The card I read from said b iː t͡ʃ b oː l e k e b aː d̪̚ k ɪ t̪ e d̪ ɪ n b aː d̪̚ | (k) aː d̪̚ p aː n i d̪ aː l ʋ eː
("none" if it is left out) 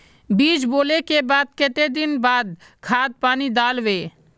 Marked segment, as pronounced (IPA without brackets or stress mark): kʰ